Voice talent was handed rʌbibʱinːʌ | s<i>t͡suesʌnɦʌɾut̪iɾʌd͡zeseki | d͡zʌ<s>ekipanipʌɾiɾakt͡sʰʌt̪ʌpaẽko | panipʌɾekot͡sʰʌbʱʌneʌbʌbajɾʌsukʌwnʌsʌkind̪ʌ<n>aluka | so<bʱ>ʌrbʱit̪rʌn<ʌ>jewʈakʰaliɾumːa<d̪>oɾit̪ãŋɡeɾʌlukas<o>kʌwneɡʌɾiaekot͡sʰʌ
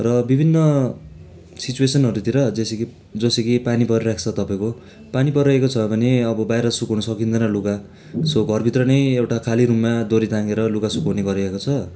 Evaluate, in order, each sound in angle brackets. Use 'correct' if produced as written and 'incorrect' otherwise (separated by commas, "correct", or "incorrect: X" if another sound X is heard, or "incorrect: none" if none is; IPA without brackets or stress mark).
correct, correct, correct, incorrect: ɡʱ, correct, correct, incorrect: u